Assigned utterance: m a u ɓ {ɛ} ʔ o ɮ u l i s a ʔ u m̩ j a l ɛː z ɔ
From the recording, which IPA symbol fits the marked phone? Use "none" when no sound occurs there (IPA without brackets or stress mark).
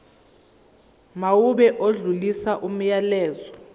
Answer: ɛ